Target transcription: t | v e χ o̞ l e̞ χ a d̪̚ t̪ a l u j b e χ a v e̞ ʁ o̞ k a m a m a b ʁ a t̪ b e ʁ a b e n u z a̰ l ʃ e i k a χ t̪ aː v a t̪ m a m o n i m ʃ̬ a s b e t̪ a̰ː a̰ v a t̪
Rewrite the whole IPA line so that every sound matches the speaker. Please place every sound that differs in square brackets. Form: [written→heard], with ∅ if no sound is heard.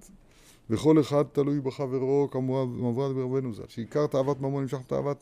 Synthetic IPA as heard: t | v e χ o̞ l e̞ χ a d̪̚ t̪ a l u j b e χ a v e̞ ʁ o̞ k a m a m a [b→v] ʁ a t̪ b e ʁ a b e n u z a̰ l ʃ e i k a [χ→ʁ] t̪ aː v a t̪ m a m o n i m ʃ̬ a [s→χ] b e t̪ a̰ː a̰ v a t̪